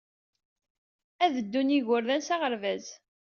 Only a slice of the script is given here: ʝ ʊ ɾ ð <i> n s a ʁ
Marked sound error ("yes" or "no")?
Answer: yes